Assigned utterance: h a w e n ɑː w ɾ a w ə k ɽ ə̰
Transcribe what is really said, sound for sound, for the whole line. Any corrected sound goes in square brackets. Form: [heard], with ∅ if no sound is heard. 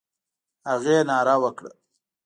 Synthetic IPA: h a [ɣ] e n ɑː [∅] ɾ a w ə k ɽ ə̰

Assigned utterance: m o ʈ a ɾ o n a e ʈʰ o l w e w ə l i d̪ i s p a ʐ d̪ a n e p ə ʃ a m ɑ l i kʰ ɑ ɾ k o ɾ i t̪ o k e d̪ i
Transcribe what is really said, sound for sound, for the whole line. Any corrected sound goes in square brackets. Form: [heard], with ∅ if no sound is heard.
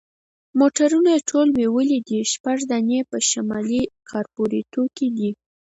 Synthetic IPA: m o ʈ a ɾ [u] n a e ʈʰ o l w e w ə l i d̪ i [ʃ] p a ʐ d̪ a n e p ə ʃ a m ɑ l i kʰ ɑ ɾ [p] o ɾ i t̪ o k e d̪ i

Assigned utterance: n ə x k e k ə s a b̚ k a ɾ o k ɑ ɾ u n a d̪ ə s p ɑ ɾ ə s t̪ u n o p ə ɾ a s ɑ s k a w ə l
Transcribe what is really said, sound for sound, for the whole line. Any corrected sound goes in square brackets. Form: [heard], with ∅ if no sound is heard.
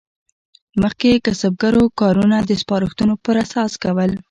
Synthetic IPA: [m] ə x k e k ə s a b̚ [ɡ] a ɾ o k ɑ ɾ u n a d̪ ə s p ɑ ɾ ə [x] t̪ u n o p ə ɾ a s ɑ s k a w ə l

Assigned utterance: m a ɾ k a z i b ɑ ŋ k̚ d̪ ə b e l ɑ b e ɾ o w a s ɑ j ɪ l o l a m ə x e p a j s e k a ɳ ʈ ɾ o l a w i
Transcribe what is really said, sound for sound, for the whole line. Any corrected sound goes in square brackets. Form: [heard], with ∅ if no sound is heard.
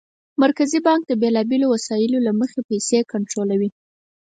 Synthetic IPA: m a ɾ k a z i b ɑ ŋ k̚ d̪ ə b e l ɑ b e [l] o w a s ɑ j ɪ l o l a m ə x e p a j s e k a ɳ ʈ ɾ o l a w i

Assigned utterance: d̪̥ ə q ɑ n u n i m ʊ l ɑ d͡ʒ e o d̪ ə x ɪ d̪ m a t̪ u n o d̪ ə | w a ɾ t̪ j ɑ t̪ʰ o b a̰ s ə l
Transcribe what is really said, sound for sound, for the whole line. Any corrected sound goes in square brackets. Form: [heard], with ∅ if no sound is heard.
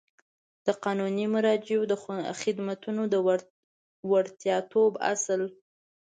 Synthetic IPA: d̪̥ ə q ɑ n u n i m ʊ [ɾ] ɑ d͡ʒ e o d̪ ə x ɪ d̪ m a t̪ u n o d̪ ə | w a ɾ t̪ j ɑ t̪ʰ o b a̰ s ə l

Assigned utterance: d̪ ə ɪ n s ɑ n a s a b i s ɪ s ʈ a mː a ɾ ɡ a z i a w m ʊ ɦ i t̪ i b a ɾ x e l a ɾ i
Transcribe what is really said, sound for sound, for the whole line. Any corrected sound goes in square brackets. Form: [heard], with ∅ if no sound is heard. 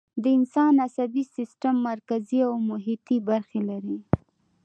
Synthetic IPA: d̪ ə ɪ n s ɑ n a s a b i s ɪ s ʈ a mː a ɾ [k] a z i a w m ʊ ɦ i t̪ i b a ɾ x e l a ɾ i

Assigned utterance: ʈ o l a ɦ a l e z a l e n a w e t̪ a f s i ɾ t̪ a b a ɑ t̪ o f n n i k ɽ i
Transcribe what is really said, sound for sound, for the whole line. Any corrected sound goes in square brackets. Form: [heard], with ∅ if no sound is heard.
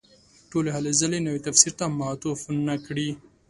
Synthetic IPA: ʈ o l [e] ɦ a l e z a l e n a w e t̪ a f s i ɾ t̪ a [m] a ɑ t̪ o f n n [a] k ɽ i

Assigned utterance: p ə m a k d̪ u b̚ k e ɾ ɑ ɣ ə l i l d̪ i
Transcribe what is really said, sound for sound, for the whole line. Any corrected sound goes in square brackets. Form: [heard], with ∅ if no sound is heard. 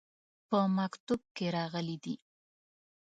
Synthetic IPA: p ə m a k [t̪] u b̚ k e ɾ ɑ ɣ ə l i [∅] d̪ i

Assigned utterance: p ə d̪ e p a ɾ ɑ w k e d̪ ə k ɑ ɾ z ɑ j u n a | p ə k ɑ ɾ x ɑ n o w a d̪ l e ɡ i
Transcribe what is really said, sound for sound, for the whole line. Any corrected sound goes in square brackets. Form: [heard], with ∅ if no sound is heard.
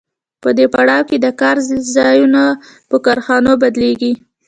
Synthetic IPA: p ə d̪ e p a [ɽ] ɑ w k e d̪ ə k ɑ ɾ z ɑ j u n a | p ə k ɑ ɾ x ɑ n o [b] a d̪ l e ɡ i

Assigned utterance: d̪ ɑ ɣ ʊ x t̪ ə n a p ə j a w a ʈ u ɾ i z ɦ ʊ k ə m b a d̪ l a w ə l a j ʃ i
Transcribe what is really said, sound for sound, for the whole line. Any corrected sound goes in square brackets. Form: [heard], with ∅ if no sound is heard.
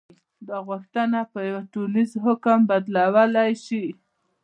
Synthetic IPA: d̪ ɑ ɣ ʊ x t̪ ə n a p ə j a w a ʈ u [l] i z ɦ ʊ k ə m b a d̪ l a w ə l a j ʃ i

